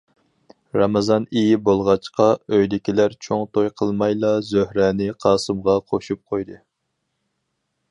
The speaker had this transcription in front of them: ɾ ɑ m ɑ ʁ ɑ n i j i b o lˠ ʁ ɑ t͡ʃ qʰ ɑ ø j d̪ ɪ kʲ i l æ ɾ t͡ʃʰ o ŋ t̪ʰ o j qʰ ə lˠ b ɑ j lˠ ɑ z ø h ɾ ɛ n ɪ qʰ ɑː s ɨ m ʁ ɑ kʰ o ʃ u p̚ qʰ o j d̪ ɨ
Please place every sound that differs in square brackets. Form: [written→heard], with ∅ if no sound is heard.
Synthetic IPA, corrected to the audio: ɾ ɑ m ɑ [ʁ→z] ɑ n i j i b o lˠ ʁ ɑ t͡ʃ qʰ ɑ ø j d̪ ɪ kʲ i l æ ɾ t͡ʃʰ o ŋ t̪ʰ o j qʰ ə lˠ [b→m] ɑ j lˠ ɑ z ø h ɾ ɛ n ɪ qʰ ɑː s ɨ m ʁ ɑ [kʰ→qʰ] o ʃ u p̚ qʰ o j d̪ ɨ